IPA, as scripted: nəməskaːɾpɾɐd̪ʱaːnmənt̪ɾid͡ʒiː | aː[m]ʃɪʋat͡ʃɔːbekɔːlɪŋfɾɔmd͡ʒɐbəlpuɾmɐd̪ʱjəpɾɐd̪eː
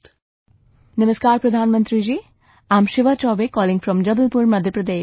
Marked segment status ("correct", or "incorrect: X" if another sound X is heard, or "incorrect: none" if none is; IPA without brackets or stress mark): correct